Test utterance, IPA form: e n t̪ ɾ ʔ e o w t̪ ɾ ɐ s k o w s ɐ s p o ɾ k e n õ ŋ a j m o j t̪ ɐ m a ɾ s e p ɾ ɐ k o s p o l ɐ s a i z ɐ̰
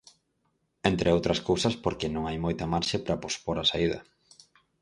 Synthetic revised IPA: e n t̪ ɾ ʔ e o w t̪ ɾ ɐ s k o w s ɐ s p o ɾ k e n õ ŋ a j m o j t̪ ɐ m a ɾ ʃ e p ɾ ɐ p o s p o ɾ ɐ s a i ð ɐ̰